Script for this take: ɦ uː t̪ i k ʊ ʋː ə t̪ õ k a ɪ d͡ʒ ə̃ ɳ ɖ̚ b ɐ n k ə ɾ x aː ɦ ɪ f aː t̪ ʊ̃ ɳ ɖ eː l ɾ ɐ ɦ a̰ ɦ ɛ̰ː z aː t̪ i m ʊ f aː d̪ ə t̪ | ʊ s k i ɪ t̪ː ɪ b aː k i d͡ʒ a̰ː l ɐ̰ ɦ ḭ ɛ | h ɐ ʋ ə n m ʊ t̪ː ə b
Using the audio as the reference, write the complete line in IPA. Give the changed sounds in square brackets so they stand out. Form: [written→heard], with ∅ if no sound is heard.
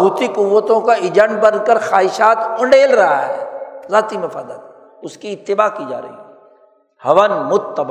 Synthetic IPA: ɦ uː t̪ i k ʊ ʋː ə t̪ õ k a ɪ d͡ʒ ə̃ ɳ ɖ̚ b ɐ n k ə ɾ x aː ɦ ɪ [f→ʃ] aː t̪ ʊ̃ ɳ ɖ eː l ɾ ɐ ɦ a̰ ɦ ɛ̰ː z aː t̪ i m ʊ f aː d̪ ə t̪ | ʊ s k i ɪ t̪ː ɪ b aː k i d͡ʒ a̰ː [l→ɾ] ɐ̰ ɦ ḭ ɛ | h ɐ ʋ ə n m ʊ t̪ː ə b